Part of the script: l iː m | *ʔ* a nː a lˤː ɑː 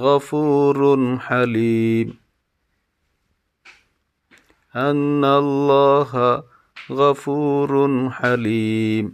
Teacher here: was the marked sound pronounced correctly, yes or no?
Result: yes